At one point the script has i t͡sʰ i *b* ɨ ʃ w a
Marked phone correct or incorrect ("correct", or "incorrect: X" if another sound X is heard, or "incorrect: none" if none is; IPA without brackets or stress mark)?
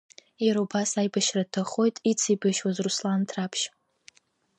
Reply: correct